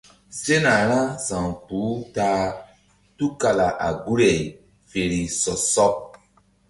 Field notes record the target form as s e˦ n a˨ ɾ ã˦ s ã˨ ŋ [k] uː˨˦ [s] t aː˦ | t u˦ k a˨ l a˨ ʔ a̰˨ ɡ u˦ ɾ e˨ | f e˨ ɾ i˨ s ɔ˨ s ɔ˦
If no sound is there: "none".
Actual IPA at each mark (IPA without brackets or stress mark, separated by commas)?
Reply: p, none